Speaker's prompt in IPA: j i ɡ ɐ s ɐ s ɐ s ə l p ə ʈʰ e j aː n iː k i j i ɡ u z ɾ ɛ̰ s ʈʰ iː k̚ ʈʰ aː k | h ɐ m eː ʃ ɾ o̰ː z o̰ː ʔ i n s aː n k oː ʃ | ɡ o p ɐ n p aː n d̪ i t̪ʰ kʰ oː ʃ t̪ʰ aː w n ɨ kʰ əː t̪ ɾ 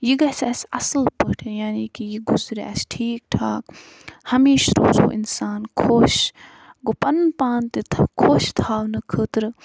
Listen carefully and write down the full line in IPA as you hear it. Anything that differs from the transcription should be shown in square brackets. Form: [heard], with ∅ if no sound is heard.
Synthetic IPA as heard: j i ɡ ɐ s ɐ s ɐ s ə l p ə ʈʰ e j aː n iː k i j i ɡ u z ɾ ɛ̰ s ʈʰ iː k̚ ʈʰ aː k | h ɐ m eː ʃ ɾ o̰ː z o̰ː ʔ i n s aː n [kʰ] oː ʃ | ɡ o p ɐ n p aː n [t̪] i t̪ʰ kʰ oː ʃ t̪ʰ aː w n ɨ kʰ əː t̪ ɾ